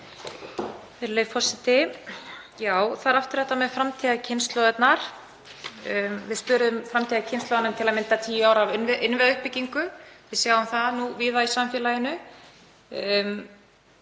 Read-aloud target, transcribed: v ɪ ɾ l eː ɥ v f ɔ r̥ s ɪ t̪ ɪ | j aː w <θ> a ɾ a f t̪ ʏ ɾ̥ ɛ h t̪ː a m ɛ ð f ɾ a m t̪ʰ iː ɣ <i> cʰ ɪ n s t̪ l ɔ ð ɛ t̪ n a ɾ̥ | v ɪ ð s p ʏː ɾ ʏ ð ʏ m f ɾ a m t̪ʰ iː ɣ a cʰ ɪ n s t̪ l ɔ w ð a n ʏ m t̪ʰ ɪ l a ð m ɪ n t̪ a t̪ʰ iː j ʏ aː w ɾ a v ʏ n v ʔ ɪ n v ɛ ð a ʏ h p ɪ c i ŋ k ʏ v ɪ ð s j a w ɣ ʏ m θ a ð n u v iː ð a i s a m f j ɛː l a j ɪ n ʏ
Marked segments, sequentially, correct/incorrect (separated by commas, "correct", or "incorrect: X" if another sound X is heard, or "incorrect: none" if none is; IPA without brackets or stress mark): correct, incorrect: a